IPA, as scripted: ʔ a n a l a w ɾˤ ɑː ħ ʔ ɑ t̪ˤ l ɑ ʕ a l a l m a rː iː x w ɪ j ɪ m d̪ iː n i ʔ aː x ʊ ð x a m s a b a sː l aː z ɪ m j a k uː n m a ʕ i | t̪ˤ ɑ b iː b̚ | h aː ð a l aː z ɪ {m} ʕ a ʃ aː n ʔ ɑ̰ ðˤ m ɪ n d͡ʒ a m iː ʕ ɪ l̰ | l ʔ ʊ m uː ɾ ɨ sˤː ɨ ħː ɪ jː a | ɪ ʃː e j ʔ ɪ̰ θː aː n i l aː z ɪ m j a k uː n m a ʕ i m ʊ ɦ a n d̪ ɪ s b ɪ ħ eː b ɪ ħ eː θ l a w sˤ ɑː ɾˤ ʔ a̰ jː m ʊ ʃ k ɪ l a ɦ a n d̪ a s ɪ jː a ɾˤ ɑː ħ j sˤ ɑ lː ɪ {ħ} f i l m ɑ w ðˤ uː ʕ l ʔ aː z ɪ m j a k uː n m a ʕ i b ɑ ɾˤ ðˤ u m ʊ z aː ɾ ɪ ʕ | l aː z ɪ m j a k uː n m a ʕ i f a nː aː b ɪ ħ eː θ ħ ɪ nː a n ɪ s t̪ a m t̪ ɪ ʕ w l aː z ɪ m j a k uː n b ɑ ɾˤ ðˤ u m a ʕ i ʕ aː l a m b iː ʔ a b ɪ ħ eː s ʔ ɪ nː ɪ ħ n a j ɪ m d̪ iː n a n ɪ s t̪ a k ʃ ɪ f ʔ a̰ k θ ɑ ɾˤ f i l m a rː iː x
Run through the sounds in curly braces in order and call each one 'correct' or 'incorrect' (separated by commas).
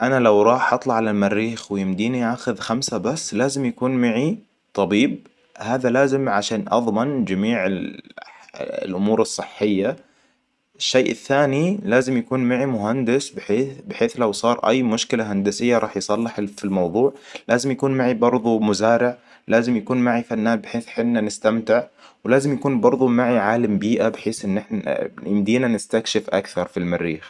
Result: correct, correct